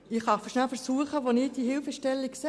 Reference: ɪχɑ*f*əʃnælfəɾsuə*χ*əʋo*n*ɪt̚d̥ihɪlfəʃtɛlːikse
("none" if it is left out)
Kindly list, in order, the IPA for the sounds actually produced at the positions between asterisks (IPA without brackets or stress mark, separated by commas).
f, χ, n